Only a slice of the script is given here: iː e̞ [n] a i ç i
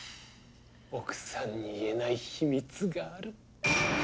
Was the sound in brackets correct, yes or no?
yes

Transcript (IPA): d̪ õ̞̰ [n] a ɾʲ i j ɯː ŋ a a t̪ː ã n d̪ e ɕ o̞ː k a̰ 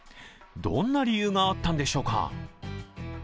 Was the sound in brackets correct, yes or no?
no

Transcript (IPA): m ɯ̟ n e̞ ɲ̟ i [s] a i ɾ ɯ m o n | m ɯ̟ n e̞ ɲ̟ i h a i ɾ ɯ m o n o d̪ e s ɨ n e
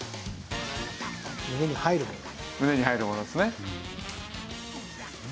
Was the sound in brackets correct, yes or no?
no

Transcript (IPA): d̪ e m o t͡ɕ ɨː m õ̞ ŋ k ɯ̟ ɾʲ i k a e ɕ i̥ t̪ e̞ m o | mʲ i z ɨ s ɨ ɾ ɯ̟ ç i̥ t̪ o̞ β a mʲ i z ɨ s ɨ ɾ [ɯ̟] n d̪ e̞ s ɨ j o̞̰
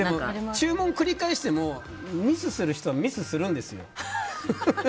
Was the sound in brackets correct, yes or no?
no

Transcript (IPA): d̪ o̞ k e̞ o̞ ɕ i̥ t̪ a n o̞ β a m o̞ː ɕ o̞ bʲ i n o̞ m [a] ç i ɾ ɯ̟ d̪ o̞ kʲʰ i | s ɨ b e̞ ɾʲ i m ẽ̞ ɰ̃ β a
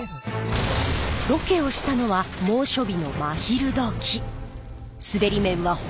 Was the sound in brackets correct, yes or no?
yes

